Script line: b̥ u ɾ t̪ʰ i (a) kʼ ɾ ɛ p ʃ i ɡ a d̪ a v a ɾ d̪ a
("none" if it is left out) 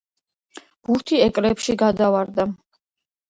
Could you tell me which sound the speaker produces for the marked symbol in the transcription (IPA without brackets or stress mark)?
ɛ